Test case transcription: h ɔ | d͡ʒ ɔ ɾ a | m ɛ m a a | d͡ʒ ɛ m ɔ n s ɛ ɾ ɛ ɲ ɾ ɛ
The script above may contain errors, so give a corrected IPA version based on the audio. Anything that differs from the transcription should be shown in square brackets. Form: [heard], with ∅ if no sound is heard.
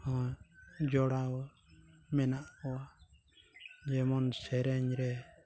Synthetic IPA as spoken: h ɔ | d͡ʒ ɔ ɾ a | m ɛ [n] a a | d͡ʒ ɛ m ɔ n s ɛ ɾ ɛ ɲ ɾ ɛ

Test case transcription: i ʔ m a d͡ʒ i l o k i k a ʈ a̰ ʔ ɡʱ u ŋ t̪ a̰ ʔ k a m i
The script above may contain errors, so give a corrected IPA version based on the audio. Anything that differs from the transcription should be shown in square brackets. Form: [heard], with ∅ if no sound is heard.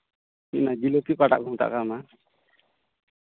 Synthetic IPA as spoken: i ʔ [n] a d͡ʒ i l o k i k a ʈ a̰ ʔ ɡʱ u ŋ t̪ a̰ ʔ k a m [a]

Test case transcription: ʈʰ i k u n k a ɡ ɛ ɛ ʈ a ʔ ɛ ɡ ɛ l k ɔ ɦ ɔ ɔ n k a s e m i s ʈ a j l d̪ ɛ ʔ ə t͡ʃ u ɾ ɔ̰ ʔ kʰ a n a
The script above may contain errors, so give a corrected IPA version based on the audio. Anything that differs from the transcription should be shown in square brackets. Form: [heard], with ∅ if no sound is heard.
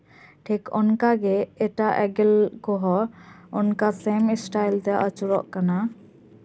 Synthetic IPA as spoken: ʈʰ i k [ɔ] n k a ɡ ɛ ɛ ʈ a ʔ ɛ ɡ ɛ l k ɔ ɦ ɔ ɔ n k a s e m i s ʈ a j l [t̪] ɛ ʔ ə t͡ʃ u ɾ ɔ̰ ʔ [k] a n a

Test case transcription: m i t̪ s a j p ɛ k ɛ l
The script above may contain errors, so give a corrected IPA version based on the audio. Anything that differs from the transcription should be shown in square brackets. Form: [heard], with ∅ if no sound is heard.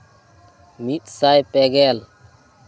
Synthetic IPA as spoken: m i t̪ s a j p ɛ [ɡ] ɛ l

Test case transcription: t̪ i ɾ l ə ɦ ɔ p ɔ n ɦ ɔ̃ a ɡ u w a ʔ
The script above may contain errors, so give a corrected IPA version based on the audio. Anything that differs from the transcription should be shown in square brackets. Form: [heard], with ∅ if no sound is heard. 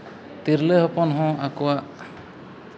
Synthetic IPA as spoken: t̪ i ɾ l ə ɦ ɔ p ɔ n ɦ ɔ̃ a [k] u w a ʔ

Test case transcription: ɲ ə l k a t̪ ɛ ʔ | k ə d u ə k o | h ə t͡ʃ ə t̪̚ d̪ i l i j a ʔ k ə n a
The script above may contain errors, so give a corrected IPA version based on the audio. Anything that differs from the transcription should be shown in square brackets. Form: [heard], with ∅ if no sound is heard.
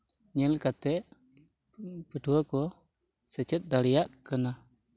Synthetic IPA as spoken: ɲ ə l k a t̪ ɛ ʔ | [p] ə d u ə k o | [s] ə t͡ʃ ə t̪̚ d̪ [a] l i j a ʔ k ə n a

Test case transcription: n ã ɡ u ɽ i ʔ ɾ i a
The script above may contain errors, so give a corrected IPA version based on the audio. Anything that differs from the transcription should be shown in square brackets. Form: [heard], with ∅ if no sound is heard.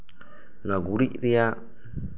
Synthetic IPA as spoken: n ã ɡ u [ɾ] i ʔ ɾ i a

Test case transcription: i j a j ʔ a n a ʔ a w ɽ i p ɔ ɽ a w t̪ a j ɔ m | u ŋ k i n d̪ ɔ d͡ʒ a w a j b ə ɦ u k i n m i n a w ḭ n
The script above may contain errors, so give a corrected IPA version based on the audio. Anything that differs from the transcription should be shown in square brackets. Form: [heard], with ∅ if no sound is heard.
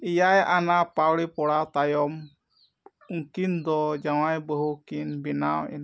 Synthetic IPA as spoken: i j a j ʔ a n a [p] a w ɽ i p ɔ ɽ a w t̪ a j ɔ m | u ŋ k i n d̪ ɔ d͡ʒ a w a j b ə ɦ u k i n [b] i n a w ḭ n

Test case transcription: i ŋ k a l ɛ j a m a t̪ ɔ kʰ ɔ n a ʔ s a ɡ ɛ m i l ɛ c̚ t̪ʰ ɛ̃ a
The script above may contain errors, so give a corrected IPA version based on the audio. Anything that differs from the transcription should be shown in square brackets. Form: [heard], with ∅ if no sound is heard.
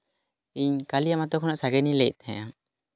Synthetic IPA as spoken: i [ɲ] k a l [i] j a m a t̪ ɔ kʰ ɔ n a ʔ s a ɡ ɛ [n] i l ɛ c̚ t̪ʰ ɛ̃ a

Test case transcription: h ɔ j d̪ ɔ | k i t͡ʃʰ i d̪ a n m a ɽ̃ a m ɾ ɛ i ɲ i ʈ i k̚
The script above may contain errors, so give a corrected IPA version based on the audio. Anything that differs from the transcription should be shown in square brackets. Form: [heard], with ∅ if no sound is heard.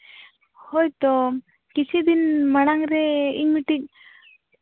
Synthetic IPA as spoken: h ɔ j [t̪] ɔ | k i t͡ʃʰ i d̪ [i] n m a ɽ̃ a [ŋ] ɾ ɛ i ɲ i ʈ i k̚

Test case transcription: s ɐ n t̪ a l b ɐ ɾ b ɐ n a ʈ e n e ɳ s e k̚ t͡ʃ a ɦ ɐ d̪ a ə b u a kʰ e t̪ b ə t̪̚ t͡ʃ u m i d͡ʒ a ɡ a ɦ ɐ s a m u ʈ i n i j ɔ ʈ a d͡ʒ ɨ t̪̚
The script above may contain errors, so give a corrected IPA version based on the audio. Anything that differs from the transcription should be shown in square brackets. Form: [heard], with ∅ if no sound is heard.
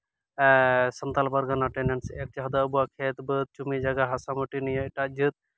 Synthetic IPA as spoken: s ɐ n t̪ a l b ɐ ɾ [ɡ] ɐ n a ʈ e n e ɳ s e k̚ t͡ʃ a ɦ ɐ d̪ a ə b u a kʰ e t̪ b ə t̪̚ t͡ʃ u m i d͡ʒ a ɡ a ɦ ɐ s a m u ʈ i n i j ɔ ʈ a d͡ʒ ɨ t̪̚

